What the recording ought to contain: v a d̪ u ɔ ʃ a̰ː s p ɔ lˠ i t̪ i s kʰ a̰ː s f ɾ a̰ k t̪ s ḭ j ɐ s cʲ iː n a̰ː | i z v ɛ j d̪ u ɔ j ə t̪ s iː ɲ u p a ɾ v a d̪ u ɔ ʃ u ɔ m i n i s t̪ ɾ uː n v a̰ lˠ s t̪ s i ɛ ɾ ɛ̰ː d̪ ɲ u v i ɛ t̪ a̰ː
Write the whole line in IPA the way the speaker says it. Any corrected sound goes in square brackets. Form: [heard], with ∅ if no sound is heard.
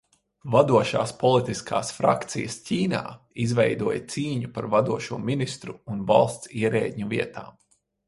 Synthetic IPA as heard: v a d̪ u ɔ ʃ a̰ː s p ɔ lˠ i t̪ i s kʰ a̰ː s f ɾ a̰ k t̪ s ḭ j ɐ s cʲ iː n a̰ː | i z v ɛ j d̪ u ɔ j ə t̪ s iː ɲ u p a ɾ v a d̪ u ɔ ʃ u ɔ m i n i s t̪ ɾ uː n v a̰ lˠ s t̪ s i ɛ ɾ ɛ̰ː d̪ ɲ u v i ɛ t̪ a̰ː